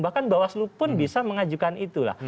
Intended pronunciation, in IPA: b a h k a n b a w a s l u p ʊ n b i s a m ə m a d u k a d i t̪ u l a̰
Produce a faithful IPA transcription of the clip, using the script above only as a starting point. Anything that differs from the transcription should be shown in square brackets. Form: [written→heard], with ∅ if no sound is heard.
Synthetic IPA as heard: b a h k a n b a w a s l u p ʊ n b i s a m ə [m→ŋ] a [d→d͡ʒ] u k a [d→n] i t̪ u l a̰